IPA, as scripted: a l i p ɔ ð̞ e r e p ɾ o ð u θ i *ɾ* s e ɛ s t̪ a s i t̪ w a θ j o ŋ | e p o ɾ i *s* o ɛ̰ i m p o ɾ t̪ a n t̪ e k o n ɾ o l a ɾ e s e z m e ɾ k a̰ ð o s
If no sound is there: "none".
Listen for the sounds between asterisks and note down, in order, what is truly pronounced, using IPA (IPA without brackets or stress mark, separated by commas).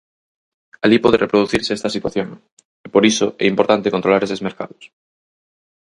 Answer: ɾ, s